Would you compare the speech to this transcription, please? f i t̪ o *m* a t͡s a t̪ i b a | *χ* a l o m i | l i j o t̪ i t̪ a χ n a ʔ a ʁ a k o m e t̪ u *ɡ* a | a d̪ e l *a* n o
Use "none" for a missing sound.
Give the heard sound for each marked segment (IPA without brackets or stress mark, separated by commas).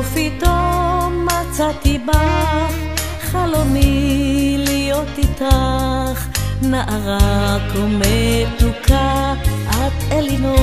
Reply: m, χ, k, i